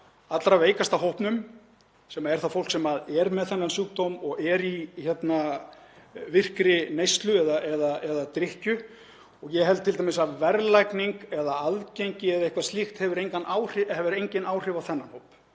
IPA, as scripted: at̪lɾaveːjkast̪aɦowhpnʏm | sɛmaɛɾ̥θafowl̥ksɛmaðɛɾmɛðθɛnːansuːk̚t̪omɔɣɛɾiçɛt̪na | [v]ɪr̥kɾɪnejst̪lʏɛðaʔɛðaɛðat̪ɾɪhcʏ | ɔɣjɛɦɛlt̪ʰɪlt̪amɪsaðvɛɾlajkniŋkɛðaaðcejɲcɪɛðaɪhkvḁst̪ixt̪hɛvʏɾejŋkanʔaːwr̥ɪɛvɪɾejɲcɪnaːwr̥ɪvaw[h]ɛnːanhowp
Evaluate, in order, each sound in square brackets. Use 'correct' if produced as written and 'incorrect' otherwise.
correct, incorrect

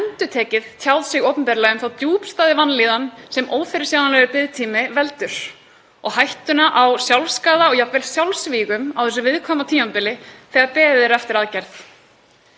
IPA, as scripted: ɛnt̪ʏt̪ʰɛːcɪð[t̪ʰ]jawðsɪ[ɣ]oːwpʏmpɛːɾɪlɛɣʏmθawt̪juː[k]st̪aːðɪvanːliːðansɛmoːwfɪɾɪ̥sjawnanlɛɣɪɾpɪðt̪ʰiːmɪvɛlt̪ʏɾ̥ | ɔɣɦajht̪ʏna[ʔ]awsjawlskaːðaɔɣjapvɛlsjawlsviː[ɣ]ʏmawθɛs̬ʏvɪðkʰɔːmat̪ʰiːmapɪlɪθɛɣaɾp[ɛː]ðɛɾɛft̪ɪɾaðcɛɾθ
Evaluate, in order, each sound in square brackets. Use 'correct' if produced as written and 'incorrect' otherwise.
correct, correct, incorrect, correct, correct, correct

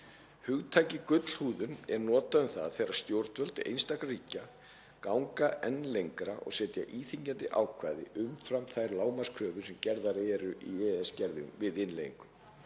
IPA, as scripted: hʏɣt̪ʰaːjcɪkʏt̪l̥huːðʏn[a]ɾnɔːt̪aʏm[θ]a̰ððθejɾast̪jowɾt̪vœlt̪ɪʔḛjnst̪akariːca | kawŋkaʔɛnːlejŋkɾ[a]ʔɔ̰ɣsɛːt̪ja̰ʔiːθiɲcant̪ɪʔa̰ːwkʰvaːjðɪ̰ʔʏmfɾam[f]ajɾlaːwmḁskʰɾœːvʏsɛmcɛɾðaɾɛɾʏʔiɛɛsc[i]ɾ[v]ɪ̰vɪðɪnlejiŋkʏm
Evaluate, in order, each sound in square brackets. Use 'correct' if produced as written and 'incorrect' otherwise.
incorrect, correct, correct, incorrect, incorrect, incorrect

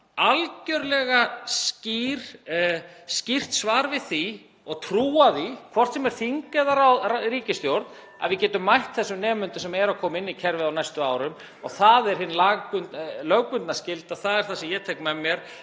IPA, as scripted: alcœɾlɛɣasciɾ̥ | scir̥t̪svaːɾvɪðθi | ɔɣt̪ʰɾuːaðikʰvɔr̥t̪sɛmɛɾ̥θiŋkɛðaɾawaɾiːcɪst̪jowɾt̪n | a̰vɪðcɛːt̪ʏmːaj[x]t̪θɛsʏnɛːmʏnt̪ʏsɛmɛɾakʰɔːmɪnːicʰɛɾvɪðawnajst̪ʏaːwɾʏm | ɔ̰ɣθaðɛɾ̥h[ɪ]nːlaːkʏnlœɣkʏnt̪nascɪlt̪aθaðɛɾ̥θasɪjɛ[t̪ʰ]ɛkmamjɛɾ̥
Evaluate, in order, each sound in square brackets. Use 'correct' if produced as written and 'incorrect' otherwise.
incorrect, correct, correct

